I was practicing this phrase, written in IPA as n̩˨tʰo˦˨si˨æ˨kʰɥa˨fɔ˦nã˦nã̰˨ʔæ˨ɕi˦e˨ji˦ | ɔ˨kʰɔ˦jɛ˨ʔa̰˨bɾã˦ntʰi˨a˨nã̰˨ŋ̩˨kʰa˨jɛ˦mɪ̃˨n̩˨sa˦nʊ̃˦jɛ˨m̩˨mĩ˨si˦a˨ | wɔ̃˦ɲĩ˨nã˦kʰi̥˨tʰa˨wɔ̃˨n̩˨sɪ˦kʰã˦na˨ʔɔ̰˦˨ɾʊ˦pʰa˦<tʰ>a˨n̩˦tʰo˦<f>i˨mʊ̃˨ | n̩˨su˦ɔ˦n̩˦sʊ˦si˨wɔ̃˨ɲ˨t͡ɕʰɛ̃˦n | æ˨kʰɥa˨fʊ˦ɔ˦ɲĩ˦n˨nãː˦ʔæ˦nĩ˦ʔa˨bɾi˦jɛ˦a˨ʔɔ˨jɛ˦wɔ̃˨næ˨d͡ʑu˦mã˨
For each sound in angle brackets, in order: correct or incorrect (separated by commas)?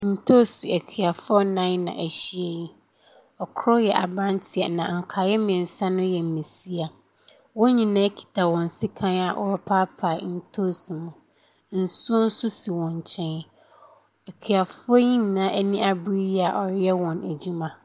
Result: incorrect, incorrect